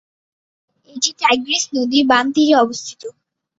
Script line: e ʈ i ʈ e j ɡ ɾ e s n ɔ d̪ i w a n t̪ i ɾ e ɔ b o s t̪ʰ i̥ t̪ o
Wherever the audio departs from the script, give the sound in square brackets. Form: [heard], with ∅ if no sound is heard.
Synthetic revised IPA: e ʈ i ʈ [a] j ɡ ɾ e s n [o] d̪ i [b] a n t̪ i ɾ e ɔ b o s t̪ʰ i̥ t̪ o